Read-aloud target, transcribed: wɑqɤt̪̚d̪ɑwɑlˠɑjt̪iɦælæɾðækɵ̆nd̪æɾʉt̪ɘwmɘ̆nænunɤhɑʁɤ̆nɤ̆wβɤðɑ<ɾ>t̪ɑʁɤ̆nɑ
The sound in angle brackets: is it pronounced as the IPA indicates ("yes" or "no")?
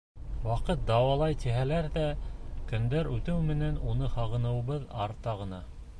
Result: yes